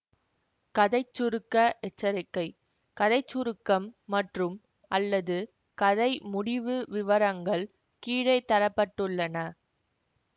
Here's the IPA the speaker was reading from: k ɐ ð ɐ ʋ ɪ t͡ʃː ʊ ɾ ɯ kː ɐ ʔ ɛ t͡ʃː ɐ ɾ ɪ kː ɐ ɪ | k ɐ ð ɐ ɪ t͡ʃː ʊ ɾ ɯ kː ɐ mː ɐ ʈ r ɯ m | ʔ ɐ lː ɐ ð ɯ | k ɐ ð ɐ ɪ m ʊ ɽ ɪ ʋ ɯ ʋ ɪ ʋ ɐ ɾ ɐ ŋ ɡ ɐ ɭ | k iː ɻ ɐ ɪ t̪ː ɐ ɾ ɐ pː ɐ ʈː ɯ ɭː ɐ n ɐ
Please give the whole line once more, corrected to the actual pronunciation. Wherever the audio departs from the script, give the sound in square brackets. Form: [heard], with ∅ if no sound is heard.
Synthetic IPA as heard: k ɐ ð ɐ [∅] ɪ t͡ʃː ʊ ɾ ɯ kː ɐ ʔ ɛ t͡ʃː ɐ ɾ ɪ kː ɐ ɪ | k ɐ ð ɐ ɪ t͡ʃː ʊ ɾ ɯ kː ɐ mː ɐ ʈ r ɯ m | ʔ ɐ lː ɐ ð ɯ | k ɐ ð ɐ ɪ m ʊ ɽ ɪ ʋ ɯ ʋ ɪ ʋ ɐ ɾ ɐ ŋ ɡ ɐ ɭ | k iː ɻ ɐ ɪ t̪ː ɐ ɾ ɐ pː ɐ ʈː ɯ ɭː ɐ n ɐ